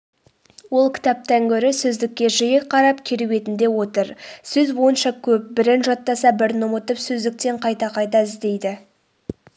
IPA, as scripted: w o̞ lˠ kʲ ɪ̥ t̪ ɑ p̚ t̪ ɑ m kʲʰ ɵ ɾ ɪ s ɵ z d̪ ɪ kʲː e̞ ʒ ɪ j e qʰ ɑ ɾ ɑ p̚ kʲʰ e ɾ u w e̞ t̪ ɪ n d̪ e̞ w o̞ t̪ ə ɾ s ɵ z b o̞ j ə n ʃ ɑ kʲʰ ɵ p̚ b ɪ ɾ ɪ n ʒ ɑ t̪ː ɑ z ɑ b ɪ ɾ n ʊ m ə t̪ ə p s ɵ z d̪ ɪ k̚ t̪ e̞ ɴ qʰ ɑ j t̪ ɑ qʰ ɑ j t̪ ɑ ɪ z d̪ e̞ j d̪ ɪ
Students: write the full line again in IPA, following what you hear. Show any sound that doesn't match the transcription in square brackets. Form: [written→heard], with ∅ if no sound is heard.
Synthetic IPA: w o̞ lˠ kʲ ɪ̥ t̪ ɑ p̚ t̪ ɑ [m→ŋ] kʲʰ ɵ ɾ ɪ s ɵ z d̪ ɪ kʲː e̞ ʒ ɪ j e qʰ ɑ ɾ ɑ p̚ kʲʰ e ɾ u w e̞ t̪ ɪ n d̪ e̞ w o̞ t̪ ə ɾ s ɵ z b o̞ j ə n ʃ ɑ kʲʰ ɵ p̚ b ɪ ɾ ɪ n ʒ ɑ t̪ː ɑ [z→s] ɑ b ɪ ɾ n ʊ m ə t̪ ə p s ɵ z d̪ ɪ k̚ t̪ e̞ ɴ qʰ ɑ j t̪ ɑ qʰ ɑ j t̪ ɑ ɪ z d̪ e̞ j d̪ ɪ

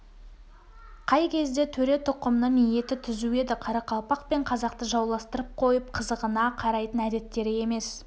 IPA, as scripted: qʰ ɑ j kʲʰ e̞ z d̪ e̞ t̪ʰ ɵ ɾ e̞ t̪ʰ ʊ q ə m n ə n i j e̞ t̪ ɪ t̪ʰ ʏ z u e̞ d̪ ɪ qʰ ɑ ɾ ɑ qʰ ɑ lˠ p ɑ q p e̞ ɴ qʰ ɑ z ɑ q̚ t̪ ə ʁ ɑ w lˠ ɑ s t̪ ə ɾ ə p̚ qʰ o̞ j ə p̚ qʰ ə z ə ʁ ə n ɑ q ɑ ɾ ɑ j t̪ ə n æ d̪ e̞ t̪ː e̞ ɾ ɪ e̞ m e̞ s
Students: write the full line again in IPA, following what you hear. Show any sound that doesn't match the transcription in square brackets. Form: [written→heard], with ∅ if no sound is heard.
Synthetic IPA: qʰ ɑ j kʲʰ e̞ z d̪ e̞ t̪ʰ ɵ ɾ e̞ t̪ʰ ʊ q ə m n ə n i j e̞ t̪ ɪ t̪ʰ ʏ z u e̞ d̪ ɪ qʰ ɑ ɾ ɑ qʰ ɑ lˠ p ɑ q p e̞ ɴ qʰ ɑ z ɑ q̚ t̪ ə [ʁ→ʒ] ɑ w lˠ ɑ s t̪ ə ɾ ə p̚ qʰ o̞ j ə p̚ qʰ ə z ə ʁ ə n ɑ [q→qʰ] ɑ ɾ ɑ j t̪ ə n æ d̪ e̞ t̪ː e̞ ɾ ɪ e̞ m e̞ s

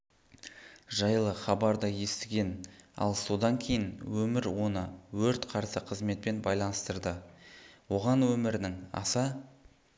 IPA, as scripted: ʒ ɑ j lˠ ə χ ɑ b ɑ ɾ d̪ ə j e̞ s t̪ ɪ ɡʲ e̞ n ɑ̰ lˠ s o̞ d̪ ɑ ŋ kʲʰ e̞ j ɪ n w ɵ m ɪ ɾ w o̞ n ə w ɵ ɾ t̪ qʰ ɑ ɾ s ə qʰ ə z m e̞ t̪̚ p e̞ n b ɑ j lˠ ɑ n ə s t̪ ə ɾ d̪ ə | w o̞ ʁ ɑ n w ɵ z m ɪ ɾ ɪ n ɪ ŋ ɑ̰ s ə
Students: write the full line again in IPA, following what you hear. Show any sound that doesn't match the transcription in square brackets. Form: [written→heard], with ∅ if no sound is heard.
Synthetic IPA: ʒ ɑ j lˠ ə χ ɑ b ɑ ɾ d̪ [ə→ɑ] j e̞ s t̪ ɪ ɡʲ e̞ n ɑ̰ lˠ s o̞ d̪ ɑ ŋ kʲʰ e̞ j ɪ n w ɵ m ɪ ɾ w o̞ n ə w ɵ ɾ t̪ qʰ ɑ ɾ s ə qʰ ə z m e̞ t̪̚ p e̞ n b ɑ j lˠ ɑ n ə s t̪ ə ɾ d̪ ə | w o̞ ʁ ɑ n w ɵ [z→∅] m ɪ ɾ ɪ n ɪ ŋ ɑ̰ s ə

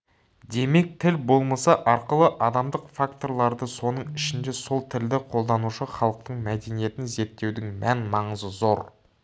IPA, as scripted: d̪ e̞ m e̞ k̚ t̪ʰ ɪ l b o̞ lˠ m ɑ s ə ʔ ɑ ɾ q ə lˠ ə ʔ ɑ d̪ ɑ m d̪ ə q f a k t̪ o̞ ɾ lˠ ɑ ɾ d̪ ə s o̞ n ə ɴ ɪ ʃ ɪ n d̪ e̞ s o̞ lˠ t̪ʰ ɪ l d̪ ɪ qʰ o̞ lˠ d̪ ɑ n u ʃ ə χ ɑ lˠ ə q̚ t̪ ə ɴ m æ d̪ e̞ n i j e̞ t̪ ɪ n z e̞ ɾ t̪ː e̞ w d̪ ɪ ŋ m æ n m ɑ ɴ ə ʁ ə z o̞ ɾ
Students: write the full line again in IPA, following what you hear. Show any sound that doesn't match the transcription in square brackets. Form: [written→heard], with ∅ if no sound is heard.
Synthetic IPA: d̪ e̞ m e̞ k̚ t̪ʰ ɪ l b o̞ lˠ m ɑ s [ə→ɑ] ʔ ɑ ɾ q ə lˠ ə ʔ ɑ d̪ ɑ m d̪ ə q f a k t̪ o̞ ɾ lˠ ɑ ɾ d̪ ə s o̞ n ə ɴ ɪ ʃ ɪ n d̪ e̞ s o̞ lˠ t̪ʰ ɪ l d̪ ɪ qʰ o̞ lˠ d̪ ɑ n u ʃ ə χ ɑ lˠ ə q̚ t̪ ə ɴ m æ d̪ e̞ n i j e̞ t̪ ɪ n z e̞ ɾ t̪ː e̞ w d̪ ɪ ŋ m æ n m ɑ ɴ ə [ʁ→z] ə z o̞ ɾ

